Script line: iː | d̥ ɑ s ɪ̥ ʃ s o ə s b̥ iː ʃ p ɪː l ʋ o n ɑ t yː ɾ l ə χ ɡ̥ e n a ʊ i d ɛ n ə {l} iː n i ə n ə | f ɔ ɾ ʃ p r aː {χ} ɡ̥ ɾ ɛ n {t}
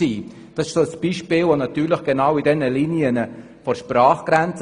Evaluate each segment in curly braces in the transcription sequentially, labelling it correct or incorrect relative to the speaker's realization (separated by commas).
correct, correct, incorrect